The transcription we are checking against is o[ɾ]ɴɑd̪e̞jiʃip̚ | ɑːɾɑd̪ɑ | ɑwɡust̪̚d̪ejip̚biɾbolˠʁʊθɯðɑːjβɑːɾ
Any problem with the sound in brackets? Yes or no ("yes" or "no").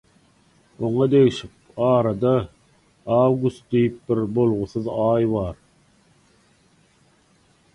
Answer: yes